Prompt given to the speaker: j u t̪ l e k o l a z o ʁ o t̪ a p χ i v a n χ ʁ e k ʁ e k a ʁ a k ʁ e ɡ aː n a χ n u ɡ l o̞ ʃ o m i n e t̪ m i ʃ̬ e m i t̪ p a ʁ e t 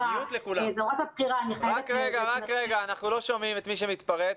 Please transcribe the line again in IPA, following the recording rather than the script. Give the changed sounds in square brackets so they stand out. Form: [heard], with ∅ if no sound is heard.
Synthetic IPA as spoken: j u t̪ l e k [u] l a z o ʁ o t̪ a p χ i [ʁ] a n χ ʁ [a] k ʁ e [ɡ] a ʁ a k ʁ e ɡ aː n a χ n u [∅] l o̞ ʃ o m i [m] e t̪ m i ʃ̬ e m i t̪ p a ʁ e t

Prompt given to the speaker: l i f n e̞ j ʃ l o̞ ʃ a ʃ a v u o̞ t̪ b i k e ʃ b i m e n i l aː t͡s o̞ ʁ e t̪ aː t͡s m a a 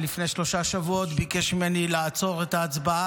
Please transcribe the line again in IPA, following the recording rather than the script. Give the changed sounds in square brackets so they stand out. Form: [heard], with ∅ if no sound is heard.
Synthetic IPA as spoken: l i f n e̞ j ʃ l o̞ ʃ a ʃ a v u o̞ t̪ b i k e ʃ [m] i m e n i l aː t͡s o̞ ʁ e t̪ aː t͡s [b] a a

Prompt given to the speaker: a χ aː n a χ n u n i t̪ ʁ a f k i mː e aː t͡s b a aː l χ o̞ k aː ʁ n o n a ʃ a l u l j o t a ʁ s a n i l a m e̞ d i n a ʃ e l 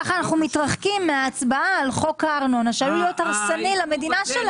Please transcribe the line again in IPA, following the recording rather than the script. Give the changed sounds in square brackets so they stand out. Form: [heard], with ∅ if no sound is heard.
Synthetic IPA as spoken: a χ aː n a χ n u [m] i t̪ ʁ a [χ] k i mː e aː t͡s b a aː l χ o̞ k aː ʁ n o n a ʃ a l u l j o t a ʁ s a n i l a m e̞ d i n a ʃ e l

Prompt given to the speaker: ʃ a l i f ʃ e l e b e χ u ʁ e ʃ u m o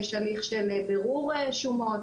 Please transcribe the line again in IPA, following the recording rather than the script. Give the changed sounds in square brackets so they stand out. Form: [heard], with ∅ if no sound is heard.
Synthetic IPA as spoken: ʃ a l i [χ] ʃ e l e b e [ʁ] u ʁ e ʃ u m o

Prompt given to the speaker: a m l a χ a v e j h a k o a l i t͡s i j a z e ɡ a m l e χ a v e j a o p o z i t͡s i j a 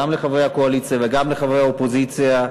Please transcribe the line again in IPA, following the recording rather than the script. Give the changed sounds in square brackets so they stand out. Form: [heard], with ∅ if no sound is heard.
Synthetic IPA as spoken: a m l [e] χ a v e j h a k o a l i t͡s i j a [v] e ɡ a m l e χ a v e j a o p o z i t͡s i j a

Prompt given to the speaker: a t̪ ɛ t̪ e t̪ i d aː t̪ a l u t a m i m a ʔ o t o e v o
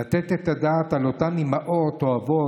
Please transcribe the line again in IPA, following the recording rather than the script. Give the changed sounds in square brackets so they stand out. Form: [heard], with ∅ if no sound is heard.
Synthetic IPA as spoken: a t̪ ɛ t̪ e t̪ [a] d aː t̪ a l [o] t a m i m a ʔ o t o [a] v o

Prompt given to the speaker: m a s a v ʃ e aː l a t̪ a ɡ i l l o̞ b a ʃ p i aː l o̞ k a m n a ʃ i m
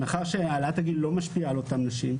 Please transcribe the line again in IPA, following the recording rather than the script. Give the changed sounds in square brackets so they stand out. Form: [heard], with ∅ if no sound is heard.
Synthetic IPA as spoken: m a [χ] a [ʁ] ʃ e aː l a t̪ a ɡ i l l o̞ [m] a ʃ p i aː l o̞ [t] a m n a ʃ i m

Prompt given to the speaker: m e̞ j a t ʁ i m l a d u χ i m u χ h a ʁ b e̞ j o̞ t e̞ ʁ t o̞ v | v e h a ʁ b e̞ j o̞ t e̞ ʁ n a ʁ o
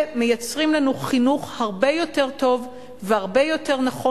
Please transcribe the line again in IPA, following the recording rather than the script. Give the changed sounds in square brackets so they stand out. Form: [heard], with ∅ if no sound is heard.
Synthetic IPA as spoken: m e̞ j a [t͡s] ʁ i m l a [n] u χ i [n] u χ h a ʁ b e̞ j o̞ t e̞ ʁ t o̞ v | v e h a ʁ b e̞ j o̞ t e̞ ʁ n a [χ] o

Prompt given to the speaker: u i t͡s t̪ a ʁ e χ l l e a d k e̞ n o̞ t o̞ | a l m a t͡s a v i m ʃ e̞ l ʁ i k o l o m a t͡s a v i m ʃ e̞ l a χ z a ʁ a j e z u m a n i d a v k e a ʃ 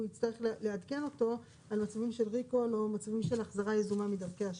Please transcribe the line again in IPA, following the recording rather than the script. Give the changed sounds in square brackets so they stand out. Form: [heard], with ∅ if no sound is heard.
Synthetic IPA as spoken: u i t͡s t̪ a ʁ e χ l l e a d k e̞ n o̞ t o̞ | a l m a t͡s a v i m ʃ e̞ l ʁ i k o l o m a t͡s a v i m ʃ e̞ l a χ z a ʁ a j e z u m a [m] i d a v k e a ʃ

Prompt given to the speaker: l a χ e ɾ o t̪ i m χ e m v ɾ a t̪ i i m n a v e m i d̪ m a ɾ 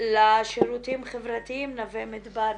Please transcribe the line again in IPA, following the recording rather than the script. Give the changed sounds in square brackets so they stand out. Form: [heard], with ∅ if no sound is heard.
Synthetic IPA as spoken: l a [ʃ] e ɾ [u] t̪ i m χ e [∅] v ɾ a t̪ i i m n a v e m i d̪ [b] a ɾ

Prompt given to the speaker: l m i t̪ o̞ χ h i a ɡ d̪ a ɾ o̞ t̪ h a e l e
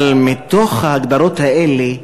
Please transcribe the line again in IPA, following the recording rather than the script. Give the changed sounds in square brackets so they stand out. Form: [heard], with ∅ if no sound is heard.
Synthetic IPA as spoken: l m i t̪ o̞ χ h [a] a ɡ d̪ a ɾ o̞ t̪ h a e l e

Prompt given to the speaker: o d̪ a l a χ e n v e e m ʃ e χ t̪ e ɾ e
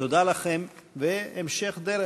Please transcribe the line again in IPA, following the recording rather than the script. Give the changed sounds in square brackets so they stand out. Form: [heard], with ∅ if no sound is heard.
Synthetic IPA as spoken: o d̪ a l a χ e [m] v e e m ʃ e χ [d̪] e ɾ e

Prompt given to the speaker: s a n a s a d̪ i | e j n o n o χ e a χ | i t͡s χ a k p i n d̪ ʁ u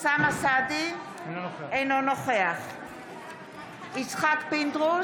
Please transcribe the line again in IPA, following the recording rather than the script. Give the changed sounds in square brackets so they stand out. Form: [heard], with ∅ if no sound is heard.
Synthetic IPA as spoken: s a [m] a s a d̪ i | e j n o n o χ e a χ | i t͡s χ a k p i n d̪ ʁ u

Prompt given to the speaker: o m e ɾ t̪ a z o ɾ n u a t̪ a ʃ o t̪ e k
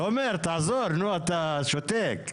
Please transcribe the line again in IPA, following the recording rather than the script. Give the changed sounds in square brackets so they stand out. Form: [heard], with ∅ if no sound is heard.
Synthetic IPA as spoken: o m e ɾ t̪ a z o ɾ n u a t̪ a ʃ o t̪ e k

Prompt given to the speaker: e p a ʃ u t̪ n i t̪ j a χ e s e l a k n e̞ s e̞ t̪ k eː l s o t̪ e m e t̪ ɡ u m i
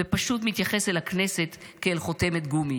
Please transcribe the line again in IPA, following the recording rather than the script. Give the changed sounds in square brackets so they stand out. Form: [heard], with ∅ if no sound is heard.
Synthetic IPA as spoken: e p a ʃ u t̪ [m] i t̪ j a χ e s e l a k n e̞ s e̞ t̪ k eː l [χ] o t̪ e m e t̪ ɡ u m i

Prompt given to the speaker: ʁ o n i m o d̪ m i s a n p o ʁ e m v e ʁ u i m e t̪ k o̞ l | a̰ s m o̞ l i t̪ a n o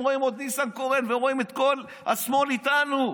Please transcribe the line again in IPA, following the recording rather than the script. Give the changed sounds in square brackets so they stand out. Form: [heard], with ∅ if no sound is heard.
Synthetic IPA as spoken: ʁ o [∅] i m o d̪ [n] i s a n [k] o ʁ e [n] v e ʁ [o] i m e t̪ k o̞ l | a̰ s m o̞ l i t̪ a n [u]

